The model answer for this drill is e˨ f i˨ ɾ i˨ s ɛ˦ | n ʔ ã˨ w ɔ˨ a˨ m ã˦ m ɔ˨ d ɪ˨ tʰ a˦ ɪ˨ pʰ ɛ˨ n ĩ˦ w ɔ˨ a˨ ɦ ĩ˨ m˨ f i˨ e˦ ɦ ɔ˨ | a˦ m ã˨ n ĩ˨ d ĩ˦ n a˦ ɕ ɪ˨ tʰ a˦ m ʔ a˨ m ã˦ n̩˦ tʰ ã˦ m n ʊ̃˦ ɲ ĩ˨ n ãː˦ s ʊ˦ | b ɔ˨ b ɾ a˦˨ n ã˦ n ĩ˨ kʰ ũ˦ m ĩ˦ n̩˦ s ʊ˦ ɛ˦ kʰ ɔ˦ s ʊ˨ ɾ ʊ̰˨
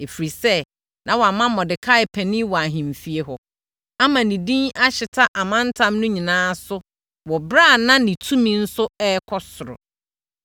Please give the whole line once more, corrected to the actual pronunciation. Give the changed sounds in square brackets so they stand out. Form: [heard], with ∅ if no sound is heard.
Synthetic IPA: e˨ f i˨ ɾ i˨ s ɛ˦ | n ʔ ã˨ w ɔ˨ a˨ m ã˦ m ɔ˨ d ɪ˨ [kʰ] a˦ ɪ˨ pʰ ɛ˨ n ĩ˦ w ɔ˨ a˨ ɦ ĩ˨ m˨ f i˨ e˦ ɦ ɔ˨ | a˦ m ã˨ n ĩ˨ d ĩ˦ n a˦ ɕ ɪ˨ tʰ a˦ [∅] ʔ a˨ m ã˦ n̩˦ tʰ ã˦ m n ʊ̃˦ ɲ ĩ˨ n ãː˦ s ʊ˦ | [w] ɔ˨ b ɾ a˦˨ n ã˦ n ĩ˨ [tʰ] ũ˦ m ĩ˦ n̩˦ s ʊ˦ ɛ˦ kʰ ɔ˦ s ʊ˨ ɾ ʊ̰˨